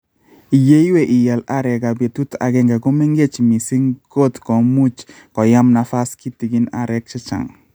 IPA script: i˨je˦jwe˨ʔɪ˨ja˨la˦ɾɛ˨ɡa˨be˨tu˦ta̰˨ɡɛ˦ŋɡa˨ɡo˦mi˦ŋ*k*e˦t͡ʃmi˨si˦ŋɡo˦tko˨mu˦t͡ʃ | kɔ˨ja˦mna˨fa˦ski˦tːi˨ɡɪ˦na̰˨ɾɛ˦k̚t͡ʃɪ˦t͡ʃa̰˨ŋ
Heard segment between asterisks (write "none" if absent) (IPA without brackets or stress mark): ɡ